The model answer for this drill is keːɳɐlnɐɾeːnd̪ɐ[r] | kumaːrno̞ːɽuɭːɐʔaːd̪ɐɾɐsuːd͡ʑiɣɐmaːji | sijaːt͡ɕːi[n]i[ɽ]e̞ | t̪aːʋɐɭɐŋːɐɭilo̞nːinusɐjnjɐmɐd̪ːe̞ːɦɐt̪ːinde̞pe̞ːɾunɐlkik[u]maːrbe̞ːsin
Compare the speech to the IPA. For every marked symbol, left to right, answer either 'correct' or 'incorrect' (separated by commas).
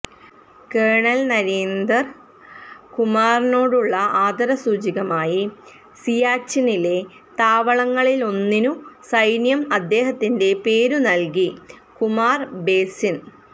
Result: correct, correct, incorrect, correct